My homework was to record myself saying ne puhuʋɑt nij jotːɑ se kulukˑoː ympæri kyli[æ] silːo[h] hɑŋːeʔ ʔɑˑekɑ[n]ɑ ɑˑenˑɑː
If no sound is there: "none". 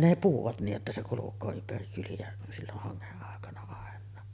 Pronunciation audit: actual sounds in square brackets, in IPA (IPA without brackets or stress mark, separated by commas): æ, h, n